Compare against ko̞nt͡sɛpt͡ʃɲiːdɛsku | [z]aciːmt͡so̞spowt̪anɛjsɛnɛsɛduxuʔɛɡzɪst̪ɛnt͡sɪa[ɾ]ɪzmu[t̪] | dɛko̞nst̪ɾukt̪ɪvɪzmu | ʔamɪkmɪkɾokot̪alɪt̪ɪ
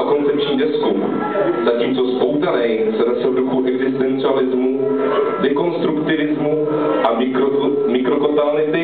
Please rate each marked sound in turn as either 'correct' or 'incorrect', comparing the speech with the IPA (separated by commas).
correct, incorrect, incorrect